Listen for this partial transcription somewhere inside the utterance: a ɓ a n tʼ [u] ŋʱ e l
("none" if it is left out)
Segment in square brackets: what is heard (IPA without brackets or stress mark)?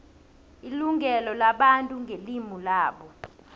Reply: u